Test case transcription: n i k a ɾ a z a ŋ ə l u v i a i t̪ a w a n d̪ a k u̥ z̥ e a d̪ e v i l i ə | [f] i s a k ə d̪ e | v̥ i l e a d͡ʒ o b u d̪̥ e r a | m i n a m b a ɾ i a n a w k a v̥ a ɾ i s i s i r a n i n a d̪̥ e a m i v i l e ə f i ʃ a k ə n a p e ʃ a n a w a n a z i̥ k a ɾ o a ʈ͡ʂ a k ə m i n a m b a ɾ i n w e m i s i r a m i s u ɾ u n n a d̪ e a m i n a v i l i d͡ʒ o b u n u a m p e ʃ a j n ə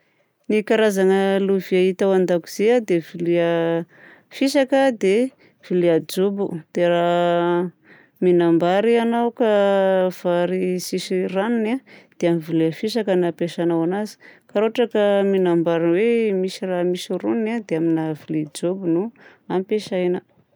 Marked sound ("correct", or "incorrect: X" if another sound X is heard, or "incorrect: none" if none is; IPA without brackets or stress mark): correct